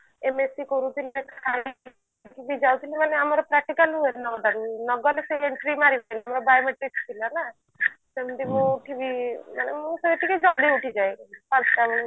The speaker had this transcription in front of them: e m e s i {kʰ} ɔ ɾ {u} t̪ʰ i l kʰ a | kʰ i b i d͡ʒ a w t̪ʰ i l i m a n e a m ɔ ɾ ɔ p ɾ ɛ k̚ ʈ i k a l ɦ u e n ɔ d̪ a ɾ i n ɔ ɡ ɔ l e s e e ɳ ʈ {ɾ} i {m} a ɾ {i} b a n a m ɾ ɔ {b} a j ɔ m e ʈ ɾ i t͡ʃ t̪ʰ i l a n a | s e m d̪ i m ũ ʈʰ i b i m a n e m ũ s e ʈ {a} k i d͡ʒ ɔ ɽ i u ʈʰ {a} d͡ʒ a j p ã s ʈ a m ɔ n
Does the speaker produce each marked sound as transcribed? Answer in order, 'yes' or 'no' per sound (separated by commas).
no, yes, yes, yes, yes, yes, no, no